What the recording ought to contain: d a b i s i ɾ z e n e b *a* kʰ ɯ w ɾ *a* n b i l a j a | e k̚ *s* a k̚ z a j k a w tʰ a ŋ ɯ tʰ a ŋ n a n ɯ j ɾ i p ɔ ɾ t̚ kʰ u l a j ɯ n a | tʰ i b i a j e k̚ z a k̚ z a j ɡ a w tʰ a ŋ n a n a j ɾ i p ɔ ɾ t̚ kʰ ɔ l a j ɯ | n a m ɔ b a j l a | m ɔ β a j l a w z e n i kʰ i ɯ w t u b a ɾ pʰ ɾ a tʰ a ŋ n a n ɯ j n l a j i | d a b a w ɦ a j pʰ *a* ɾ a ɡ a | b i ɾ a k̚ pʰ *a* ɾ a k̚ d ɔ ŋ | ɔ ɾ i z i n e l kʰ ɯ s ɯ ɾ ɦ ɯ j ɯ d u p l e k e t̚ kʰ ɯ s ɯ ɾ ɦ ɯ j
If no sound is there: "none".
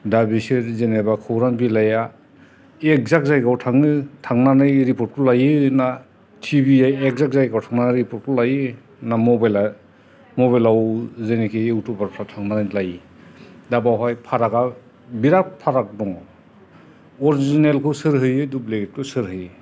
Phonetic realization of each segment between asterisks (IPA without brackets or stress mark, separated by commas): a, a, z, a, a